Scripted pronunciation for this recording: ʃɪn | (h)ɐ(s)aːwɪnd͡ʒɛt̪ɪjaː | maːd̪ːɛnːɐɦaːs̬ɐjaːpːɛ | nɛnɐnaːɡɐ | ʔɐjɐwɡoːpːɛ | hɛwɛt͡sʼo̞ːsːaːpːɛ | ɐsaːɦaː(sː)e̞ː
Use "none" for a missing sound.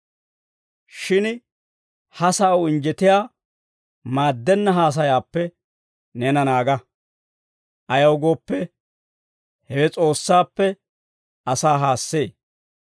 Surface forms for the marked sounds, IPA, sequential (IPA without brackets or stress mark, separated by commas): h, s, sː